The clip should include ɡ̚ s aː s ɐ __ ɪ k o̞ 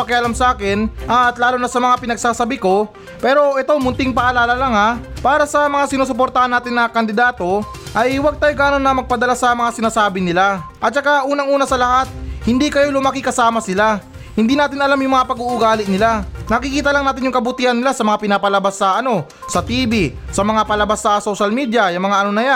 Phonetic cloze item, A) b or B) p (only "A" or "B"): A